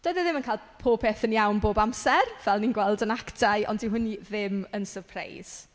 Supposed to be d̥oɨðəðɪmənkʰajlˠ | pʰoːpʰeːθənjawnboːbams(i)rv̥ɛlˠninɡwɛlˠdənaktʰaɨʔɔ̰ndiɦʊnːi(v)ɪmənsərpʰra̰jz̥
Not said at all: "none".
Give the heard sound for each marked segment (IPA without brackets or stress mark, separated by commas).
ɛ, ð